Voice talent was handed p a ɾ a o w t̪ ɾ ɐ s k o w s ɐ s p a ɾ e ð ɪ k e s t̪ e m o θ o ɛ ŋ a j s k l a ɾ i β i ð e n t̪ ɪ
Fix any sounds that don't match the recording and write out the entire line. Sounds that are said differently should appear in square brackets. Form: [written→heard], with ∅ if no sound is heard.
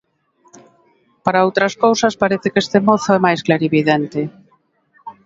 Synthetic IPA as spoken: p a ɾ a o w t̪ ɾ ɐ s k o w s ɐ s p a ɾ e [ð→θ] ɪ k e s t̪ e m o θ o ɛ [ŋ→m] a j s k l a ɾ i β i ð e n t̪ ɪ